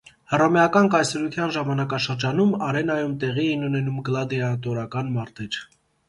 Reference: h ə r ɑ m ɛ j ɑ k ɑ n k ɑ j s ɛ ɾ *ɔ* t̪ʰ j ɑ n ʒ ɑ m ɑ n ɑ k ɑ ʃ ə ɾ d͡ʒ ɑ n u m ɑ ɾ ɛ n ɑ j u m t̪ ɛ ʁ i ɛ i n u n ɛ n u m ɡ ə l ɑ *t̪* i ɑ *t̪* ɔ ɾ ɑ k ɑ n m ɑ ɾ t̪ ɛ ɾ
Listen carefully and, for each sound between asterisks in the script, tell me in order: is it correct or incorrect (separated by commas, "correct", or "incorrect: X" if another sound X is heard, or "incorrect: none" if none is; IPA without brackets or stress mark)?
incorrect: u, incorrect: d̪, correct